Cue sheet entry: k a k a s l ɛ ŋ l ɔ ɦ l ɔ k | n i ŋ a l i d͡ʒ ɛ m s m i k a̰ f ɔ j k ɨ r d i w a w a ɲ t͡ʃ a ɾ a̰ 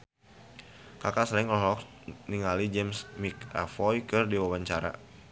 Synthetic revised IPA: k a k a s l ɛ ŋ l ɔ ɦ l ɔ k | n i ŋ a l i d͡ʒ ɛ m s m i k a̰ f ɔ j k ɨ r d i w a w a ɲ t͡ʃ a ɾ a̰